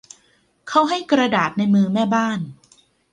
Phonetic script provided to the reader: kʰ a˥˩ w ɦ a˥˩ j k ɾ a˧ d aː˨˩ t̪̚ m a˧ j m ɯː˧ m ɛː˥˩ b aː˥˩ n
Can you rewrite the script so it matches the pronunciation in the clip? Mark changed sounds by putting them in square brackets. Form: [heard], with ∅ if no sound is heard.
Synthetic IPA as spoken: kʰ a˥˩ w ɦ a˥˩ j k ɾ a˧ d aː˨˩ t̪̚ [n] a˧ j m ɯː˧ m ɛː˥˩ b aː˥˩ n